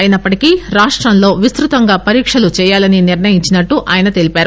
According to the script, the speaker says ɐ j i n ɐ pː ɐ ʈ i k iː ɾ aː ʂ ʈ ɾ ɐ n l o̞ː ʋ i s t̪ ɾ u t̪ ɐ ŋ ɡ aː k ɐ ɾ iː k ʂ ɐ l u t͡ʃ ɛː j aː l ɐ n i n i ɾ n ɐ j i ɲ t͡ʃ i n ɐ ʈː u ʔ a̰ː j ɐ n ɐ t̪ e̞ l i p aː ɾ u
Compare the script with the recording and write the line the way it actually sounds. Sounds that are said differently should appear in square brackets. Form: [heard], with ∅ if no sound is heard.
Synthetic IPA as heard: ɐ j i n ɐ pː ɐ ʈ i k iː ɾ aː ʂ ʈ ɾ ɐ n l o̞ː ʋ i s t̪ ɾ u t̪ ɐ ŋ ɡ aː [p] ɐ ɾ iː k ʂ ɐ l u t͡ʃ ɛː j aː l ɐ n i n i ɾ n ɐ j i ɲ t͡ʃ i n ɐ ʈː u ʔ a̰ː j ɐ n ɐ t̪ e̞ l i p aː ɾ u